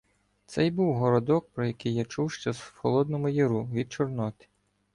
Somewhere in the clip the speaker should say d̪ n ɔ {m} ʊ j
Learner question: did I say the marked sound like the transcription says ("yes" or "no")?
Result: yes